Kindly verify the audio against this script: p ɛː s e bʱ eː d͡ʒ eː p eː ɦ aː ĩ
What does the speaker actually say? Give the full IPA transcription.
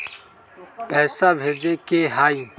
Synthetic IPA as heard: p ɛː s a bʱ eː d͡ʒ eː k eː ɦ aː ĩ